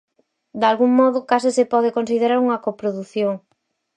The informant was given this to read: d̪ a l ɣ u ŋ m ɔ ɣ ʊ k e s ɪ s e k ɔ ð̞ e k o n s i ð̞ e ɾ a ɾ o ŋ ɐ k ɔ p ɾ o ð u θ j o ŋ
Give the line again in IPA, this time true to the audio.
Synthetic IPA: d̪ a l ɣ u ŋ m ɔ ð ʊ k a s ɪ s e p ɔ ð̞ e k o n s i ð̞ e ɾ a ɾ u ŋ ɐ k o p ɾ o ð u θ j o ŋ